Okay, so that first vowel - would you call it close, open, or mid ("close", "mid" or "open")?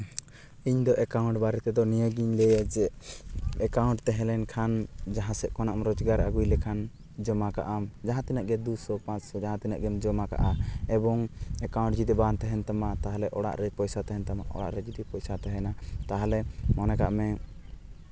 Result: close